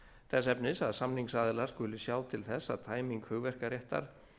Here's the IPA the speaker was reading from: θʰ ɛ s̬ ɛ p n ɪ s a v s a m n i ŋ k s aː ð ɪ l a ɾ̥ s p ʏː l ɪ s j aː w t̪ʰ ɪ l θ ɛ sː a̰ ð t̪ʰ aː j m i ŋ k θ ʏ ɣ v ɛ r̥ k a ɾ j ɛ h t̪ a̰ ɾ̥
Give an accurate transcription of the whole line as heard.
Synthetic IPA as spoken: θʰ ɛ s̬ ɛ p n ɪ s a ð s a m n i ŋ k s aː ð ɪ l a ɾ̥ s k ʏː l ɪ s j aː w t̪ʰ ɪ l θ ɛ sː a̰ ð t̪ʰ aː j m i ŋ k h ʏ ɣ v ɛ r̥ k a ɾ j ɛ h t̪ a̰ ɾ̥

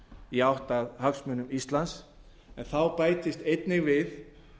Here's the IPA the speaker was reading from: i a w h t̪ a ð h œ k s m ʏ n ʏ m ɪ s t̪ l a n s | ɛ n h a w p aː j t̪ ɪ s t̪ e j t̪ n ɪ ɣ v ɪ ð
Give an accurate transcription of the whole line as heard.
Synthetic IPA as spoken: i a w h t̪ a ð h œ k s m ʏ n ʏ m i s t̪ l a n s | ɛ n θ a w p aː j t̪ ɪ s t̪ e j t̪ n ɪ ɣ v ɪ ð

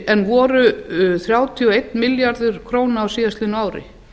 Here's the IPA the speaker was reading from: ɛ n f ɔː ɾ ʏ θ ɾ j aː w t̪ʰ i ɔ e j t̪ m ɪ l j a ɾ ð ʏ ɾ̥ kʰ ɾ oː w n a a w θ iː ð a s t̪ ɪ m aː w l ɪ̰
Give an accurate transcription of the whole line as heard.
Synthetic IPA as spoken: ɛ n v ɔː ɾ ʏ θ ɾ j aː w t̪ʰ i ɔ e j t̪ m ɪ l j a ɾ ð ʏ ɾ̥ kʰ ɾ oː w n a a w s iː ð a s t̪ ɪ n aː w ɾ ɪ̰

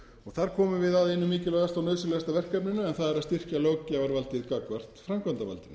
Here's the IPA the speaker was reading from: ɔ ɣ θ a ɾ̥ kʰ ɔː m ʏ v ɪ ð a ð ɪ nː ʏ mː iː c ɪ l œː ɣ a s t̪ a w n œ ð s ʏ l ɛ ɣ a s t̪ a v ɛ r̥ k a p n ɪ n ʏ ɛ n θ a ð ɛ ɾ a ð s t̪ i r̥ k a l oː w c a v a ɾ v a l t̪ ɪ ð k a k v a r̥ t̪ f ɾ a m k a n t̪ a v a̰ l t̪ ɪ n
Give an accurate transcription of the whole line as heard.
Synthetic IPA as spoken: ɔ ɣ θ a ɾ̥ kʰ ɔː m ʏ v ɪ ð a ð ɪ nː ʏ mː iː c ɪ l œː ɣ a s t̪ a w n œ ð s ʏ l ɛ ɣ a s t̪ a v ɛ r̥ k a p n ɪ n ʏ ɛ n θ a ð ɛ ɾ a ð s t̪ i r̥ c a l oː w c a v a ɾ v a l t̪ ɪ ð k a k v a r̥ t̪ f ɾ a m k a n t̪ a v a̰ l t̪ ɪ n

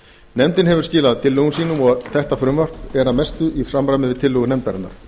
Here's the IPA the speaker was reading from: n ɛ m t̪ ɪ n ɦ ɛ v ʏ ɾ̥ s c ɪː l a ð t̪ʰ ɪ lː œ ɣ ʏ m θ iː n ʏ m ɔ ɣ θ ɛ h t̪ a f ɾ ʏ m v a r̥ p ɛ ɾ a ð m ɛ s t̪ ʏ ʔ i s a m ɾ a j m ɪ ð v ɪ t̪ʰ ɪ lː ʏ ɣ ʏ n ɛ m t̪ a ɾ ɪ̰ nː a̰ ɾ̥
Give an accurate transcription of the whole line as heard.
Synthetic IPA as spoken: n ɛ m t̪ ɪ n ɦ ɛ v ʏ ɾ̥ s c ɪː l a ð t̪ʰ ɪ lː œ ɣ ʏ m s iː n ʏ m ɔ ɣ θ ɛ h t̪ a f ɾ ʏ m v a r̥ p ɛ ɾ a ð m ɛ s t̪ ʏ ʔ i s a m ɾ a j m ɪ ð v ɪ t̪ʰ ɪ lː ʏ ɣ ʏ n ɛ m t̪ a ɾ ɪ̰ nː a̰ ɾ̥

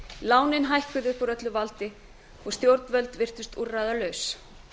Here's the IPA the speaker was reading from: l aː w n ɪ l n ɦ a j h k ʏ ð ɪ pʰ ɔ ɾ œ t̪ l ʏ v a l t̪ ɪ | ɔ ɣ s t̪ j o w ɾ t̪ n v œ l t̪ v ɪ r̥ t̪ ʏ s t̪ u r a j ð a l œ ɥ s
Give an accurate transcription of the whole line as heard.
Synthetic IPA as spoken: l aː w n ɪ n ɦ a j h k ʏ ð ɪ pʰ ɔ ɾ œ t̪ l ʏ v a l t̪ ɪ | ɔ ɣ s t̪ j o w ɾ t̪ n v œ l t̪ v ɪ r̥ t̪ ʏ s t̪ u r a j ð a l œ ɥ s

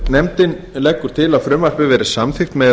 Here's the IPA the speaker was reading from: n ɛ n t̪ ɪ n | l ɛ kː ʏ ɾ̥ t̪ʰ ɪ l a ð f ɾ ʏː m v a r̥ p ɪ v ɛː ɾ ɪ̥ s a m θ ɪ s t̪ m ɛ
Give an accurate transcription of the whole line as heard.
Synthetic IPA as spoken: n ɛ m t̪ ɪ n | l ɛ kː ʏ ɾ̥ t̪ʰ ɪ l a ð f ɾ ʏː m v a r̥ p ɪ v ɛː ɾ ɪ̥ s a m θ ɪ x t̪ m ɛ

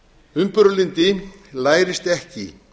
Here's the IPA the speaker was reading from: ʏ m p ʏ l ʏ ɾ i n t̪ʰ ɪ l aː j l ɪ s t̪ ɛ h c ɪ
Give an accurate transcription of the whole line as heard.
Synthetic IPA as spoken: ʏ m p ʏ ɾ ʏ l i n t̪ ɪ l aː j ɾ ɪ s t̪ ɛ h c ɪ

